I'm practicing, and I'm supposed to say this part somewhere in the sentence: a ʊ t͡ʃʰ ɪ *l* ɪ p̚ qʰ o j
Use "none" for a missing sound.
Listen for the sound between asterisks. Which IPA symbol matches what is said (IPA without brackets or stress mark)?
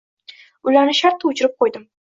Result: ɾ